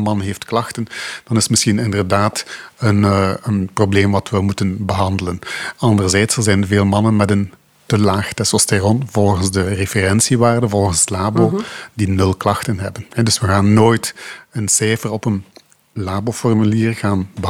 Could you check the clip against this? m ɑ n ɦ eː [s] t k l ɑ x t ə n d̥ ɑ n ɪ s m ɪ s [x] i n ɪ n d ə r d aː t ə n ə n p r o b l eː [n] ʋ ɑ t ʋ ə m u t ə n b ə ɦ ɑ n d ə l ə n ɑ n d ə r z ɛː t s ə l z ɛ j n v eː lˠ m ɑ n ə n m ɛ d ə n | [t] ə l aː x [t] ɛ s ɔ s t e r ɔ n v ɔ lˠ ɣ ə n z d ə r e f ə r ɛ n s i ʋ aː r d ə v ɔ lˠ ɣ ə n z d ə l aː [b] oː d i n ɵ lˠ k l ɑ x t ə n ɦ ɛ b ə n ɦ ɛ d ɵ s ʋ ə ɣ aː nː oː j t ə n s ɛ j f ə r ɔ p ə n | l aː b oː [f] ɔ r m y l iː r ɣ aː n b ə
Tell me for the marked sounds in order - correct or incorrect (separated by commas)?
incorrect, correct, incorrect, correct, correct, correct, correct